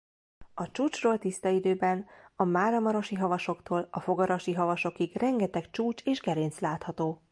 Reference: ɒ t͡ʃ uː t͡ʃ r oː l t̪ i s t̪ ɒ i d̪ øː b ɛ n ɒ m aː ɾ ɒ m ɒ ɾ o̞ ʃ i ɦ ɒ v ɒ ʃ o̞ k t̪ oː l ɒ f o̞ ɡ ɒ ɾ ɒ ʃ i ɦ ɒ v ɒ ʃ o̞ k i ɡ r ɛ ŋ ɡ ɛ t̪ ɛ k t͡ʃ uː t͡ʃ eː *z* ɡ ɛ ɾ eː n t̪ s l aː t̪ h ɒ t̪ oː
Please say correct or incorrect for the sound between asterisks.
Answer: incorrect